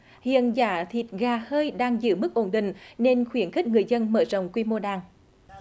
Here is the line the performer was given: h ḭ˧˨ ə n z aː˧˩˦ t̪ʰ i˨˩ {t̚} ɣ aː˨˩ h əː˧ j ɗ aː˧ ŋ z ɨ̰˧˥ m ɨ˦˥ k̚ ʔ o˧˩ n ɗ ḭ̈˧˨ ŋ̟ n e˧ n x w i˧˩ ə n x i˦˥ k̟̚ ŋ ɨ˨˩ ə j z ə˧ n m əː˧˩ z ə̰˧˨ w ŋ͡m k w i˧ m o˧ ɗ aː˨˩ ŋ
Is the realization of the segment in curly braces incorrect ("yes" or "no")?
no